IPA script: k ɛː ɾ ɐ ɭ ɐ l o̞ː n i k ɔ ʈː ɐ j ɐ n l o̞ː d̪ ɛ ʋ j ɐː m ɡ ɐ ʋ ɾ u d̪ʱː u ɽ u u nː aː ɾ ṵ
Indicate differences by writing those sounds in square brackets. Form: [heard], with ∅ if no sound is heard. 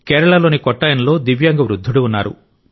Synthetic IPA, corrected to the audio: k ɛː ɾ ɐ ɭ ɐ l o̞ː n i k ɔ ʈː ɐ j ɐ n l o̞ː d̪ [i] ʋ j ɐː [ŋ] ɡ ɐ ʋ ɾ u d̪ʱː u ɽ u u nː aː ɾ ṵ